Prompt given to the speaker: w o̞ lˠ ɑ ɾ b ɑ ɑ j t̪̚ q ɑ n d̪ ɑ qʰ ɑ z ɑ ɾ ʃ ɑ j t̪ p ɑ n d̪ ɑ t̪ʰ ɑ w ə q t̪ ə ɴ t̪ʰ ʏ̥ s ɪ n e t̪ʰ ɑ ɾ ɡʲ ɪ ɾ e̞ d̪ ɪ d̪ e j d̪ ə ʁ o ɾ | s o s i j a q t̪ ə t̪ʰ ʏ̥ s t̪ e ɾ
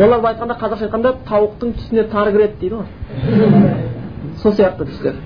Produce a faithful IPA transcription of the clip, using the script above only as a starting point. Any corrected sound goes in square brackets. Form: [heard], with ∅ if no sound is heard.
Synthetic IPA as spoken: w o̞ lˠ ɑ ɾ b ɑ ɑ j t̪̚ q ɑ n d̪ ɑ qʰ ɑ z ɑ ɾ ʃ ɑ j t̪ [q] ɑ n d̪ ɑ t̪ʰ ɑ w ə q t̪ ə ɴ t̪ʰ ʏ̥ s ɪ n e t̪ʰ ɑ ɾ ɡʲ ɪ ɾ e̞ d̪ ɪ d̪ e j d̪ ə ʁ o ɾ | s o s i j [ɑ] q t̪ ə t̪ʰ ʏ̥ s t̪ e ɾ